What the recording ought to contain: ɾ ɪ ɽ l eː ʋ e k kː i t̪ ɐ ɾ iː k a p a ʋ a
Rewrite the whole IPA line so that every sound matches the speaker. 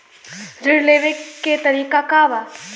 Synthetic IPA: ɾ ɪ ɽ l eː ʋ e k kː e t̪ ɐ ɾ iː k a k a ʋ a